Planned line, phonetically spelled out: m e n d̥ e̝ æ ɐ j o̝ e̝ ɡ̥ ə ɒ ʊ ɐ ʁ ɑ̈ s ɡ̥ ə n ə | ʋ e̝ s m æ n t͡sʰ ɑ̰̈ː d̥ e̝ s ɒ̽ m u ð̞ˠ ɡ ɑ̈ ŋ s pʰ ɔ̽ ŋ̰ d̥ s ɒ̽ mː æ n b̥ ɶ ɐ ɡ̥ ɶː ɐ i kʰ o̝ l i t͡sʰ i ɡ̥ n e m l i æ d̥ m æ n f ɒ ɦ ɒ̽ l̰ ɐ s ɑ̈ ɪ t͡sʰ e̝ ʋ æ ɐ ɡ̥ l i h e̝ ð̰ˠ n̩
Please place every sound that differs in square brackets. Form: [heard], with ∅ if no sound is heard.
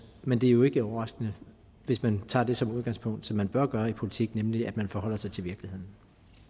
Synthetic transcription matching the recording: m e n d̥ e̝ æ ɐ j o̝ e̝ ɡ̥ ə ɒ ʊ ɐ ʁ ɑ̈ s ɡ̥ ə n ə | ʋ e̝ s m æ n t͡sʰ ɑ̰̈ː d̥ e̝ s ɒ̽ m u ð̞ˠ ɡ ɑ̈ ŋ s pʰ ɔ̽ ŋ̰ d̥ s ɒ̽ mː æ n b̥ ɶ ɐ ɡ̥ ɶː ɐ i [pʰ] o̝ l i t͡sʰ i ɡ̥ n e m l i æ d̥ m æ n f ɒ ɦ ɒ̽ l̰ ɐ s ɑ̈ ɪ t͡sʰ e̝ ʋ [i] ɐ ɡ̥ l i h e̝ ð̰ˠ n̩

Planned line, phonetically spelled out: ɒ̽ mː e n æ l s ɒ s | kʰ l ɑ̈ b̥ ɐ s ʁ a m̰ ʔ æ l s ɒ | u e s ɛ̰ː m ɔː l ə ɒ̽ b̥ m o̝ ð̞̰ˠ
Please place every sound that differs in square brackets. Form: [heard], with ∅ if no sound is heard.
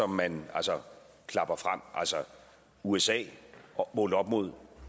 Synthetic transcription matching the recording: ɒ̽ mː [æ] n æ l s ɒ [∅] | kʰ l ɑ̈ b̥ ɐ [f] ʁ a m̰ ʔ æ l s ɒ | u e s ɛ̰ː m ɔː l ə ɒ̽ b̥ m o̝ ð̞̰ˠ

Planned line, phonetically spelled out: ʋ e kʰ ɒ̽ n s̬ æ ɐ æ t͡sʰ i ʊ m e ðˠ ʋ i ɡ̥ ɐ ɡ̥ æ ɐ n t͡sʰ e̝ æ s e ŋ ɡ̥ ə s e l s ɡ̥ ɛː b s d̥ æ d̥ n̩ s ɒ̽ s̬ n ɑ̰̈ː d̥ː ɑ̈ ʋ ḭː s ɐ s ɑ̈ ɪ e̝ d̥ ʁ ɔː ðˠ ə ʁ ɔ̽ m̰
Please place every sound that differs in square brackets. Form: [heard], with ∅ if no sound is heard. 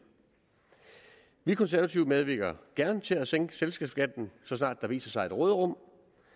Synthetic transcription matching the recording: ʋ [i] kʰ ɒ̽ n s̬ æ ɐ æ t͡sʰ i ʊ m e ðˠ ʋ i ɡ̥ ɐ ɡ̥ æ ɐ n t͡sʰ e̝ æ s e ŋ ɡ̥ ə s e l s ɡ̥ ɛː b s [ɡ̥] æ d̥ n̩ s ɒ̽ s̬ n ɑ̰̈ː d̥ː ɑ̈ ʋ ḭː s ɐ s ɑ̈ ɪ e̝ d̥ ʁ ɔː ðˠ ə ʁ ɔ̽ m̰

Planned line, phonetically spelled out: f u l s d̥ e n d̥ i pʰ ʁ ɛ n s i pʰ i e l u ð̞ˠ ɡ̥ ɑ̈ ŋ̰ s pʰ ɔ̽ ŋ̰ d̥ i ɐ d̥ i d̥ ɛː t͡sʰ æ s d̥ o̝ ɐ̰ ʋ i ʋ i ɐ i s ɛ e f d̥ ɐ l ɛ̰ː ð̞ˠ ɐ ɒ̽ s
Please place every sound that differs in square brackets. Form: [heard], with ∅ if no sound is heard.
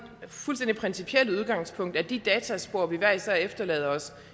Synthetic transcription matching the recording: f u l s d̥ e n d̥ i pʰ ʁ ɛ n s i pʰ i e l u ð̞ˠ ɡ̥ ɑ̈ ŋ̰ s pʰ ɔ̽ ŋ̰ d̥ [æ] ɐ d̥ i d̥ ɛː t͡sʰ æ s [b̥] o̝ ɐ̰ ʋ i ʋ [æ] ɐ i s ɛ e f d̥ ɐ l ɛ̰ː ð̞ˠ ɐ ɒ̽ s

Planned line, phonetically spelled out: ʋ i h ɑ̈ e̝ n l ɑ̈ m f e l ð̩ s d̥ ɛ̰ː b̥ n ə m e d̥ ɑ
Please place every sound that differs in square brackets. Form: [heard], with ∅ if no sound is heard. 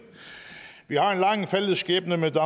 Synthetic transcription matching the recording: ʋ i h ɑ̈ e̝ n l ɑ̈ [ŋ] f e l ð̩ s [ɡ̥] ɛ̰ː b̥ n ə m e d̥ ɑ

